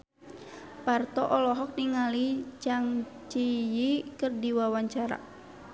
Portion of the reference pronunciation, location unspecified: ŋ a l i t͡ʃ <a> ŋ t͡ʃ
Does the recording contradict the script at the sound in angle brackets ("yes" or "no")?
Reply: no